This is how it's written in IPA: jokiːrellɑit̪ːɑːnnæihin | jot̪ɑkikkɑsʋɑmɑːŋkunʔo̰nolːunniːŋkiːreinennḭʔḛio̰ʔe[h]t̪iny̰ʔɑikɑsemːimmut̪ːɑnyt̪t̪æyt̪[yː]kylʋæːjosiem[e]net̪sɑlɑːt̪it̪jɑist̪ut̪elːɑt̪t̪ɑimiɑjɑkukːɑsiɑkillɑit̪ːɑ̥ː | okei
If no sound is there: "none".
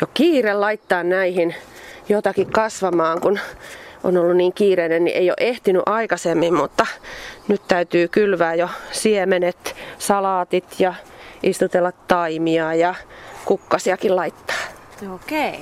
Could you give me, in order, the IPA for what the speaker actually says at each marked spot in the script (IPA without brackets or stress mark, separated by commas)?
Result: h, yː, e